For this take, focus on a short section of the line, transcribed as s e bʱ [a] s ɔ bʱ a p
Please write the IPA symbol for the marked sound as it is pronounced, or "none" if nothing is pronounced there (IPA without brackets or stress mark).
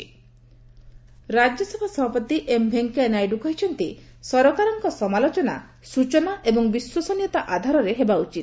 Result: a